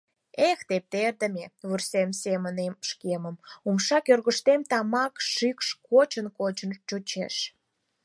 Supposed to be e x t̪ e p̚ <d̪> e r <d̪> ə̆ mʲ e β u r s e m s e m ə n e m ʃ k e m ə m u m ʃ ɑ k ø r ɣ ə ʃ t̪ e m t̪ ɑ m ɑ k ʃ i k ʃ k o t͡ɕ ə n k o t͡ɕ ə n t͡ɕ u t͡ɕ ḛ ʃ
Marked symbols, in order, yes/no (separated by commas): no, yes